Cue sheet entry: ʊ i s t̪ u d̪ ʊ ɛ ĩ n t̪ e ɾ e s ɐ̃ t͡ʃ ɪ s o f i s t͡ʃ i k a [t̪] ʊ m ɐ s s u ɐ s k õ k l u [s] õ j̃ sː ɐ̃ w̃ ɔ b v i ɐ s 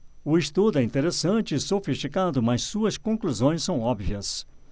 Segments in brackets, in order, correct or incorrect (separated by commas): incorrect, incorrect